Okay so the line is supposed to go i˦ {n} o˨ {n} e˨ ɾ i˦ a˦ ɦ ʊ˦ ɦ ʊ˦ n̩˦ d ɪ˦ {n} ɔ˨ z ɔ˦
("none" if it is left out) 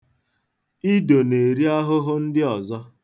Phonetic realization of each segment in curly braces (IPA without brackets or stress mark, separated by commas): d, n, none